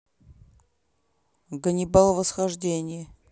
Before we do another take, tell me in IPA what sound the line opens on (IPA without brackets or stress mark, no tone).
ɡ